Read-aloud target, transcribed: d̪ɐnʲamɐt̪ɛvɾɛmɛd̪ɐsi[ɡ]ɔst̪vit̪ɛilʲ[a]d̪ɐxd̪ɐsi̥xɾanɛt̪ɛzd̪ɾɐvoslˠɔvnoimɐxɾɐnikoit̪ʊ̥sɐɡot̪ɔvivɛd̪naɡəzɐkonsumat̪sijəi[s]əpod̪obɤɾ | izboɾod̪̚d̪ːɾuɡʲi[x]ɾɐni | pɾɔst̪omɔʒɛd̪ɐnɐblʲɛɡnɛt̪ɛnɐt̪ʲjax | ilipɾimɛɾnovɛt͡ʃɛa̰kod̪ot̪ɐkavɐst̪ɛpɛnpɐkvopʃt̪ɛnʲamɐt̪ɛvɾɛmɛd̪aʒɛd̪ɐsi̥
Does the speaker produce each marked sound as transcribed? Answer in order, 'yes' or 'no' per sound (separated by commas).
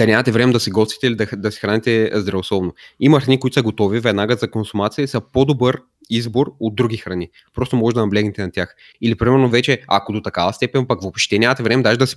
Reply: yes, no, yes, yes